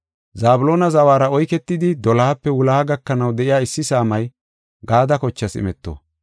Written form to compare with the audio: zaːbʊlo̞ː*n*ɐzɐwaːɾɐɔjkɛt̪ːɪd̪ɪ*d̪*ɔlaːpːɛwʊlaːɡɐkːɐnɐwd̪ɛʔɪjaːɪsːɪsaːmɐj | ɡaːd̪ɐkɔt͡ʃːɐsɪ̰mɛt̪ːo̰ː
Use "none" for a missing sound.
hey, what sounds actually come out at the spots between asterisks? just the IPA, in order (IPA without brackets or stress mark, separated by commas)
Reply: n, d̪